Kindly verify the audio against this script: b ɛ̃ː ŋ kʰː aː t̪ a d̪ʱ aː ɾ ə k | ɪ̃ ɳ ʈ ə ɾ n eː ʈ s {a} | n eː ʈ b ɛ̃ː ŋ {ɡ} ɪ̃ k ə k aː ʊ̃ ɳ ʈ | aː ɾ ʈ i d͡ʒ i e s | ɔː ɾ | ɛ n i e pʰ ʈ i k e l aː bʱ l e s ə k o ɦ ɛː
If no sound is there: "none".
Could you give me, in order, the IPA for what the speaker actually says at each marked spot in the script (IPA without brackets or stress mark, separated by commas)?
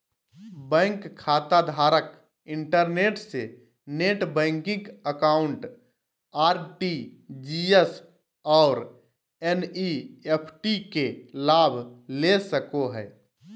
e, k